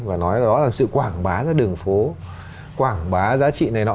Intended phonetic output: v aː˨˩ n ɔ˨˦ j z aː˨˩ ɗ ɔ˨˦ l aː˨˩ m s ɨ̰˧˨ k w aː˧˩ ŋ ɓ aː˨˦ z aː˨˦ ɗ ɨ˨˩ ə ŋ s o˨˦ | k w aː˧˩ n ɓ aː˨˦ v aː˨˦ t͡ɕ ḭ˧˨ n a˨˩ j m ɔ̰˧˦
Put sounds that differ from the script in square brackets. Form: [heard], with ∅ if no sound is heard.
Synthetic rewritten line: v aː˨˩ n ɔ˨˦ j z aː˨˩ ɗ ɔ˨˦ l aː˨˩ m s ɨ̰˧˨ k w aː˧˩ ŋ ɓ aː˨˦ z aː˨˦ ɗ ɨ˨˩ ə ŋ [f] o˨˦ | k w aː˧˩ [ŋ] ɓ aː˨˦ [z] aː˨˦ t͡ɕ ḭ˧˨ n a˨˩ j [n] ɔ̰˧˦